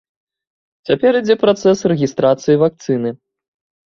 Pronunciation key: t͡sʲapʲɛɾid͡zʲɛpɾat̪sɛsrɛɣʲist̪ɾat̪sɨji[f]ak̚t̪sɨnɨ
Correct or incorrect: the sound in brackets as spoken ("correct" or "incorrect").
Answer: incorrect